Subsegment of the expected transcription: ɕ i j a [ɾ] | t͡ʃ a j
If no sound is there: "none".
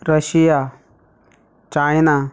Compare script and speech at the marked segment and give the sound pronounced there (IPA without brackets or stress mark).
none